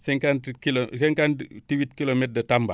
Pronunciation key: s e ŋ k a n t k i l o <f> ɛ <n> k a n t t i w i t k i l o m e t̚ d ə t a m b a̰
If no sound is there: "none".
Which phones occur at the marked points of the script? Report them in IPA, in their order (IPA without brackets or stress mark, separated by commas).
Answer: s, ŋ